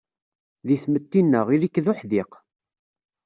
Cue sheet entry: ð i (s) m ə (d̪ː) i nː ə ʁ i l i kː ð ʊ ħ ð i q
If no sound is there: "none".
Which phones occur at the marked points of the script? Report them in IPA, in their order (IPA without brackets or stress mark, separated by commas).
θ, t̪ː